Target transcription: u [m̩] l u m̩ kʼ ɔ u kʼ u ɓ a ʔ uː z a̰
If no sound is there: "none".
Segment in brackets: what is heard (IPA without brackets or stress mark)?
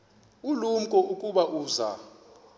none